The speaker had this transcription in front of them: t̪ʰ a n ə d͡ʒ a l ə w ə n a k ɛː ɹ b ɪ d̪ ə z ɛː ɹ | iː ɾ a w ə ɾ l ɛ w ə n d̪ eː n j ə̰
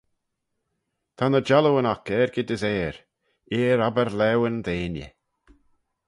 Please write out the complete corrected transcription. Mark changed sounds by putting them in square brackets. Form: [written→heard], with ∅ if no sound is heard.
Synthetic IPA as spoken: t̪ʰ a n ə d͡ʒ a l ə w ə n a k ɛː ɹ [b→ɡ] ɪ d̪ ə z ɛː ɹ | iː ɾ a [w→b] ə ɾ l ɛ w ə n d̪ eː n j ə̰